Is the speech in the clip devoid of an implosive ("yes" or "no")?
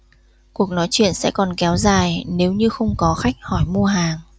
yes